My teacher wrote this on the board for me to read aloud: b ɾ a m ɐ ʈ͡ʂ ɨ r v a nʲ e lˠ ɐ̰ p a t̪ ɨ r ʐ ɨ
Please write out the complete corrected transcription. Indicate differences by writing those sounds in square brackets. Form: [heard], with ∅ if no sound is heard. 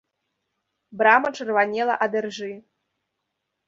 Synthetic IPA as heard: b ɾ a m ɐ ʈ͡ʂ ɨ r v a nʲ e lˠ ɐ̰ [ʔ] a [d̪] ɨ r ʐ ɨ